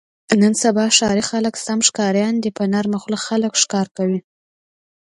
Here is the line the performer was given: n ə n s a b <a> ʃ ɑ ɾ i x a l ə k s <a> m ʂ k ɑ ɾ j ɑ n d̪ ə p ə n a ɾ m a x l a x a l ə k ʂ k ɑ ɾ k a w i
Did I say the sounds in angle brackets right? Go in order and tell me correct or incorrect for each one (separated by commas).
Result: incorrect, correct